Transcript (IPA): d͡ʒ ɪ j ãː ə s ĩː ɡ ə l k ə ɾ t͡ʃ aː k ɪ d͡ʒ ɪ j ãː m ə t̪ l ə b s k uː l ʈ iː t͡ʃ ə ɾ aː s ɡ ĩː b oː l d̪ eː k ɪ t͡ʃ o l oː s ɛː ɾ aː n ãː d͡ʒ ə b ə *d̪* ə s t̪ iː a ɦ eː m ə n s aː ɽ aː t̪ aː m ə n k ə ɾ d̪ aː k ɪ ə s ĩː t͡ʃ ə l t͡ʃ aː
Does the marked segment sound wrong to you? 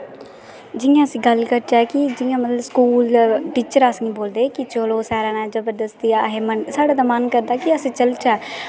no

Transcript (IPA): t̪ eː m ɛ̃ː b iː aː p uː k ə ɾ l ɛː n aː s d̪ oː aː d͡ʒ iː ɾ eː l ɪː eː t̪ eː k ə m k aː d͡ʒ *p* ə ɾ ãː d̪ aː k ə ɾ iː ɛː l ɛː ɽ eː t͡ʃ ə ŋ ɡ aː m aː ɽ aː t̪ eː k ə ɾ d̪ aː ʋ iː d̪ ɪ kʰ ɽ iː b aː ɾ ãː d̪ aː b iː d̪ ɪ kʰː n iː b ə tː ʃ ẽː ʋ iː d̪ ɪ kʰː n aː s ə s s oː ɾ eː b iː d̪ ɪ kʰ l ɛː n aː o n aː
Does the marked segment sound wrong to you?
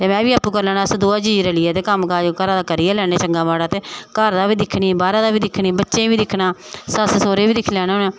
yes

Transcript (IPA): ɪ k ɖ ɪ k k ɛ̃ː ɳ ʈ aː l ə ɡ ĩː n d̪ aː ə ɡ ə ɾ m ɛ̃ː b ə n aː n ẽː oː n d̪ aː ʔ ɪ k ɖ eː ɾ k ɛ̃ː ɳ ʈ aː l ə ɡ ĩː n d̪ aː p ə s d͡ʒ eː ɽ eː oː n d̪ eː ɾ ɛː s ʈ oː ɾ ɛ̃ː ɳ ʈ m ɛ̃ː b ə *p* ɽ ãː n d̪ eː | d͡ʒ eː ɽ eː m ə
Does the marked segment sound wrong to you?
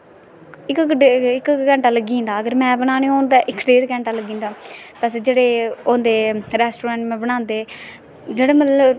yes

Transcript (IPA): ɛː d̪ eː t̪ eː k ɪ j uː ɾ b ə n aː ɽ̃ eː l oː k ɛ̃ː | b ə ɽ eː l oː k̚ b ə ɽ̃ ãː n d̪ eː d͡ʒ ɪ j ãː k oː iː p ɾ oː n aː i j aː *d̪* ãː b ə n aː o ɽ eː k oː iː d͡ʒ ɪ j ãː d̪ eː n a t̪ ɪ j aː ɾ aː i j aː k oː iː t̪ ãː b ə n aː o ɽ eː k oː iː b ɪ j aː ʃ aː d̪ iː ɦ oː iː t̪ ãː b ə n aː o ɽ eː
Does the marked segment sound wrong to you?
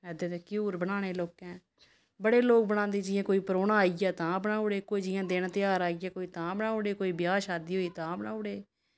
yes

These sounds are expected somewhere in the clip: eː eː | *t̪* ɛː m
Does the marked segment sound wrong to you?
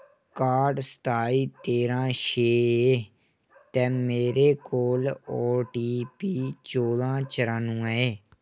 no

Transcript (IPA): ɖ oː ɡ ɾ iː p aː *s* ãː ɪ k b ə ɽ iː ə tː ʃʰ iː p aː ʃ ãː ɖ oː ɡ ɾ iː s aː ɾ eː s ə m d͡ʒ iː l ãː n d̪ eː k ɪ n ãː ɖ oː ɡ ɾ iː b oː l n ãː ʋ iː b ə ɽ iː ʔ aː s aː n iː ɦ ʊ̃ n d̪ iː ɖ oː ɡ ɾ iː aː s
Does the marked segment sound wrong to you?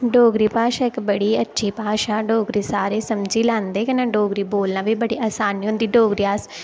yes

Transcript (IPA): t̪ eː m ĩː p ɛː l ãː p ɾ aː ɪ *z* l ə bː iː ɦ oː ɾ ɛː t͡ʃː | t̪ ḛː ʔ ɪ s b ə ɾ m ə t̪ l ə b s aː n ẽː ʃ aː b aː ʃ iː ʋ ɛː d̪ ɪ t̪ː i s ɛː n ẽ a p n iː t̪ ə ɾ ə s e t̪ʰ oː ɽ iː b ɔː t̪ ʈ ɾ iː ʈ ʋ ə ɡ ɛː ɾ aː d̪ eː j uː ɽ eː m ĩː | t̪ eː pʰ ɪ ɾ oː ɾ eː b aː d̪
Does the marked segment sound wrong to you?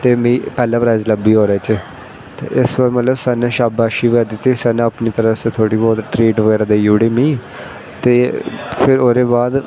no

